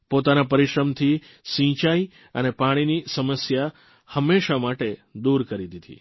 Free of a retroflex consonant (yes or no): no